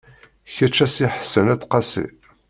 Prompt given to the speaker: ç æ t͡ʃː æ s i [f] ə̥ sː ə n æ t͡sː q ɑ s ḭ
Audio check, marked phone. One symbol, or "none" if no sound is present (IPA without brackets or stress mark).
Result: ħ